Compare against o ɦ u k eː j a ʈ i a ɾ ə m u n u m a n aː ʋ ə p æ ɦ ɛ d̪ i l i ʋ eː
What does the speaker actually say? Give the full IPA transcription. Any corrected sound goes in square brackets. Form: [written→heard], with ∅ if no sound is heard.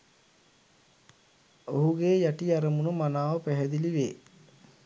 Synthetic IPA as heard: o ɦ u [k→ɡ] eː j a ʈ i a ɾ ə m u n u m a n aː ʋ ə p æ ɦ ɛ d̪ i l i ʋ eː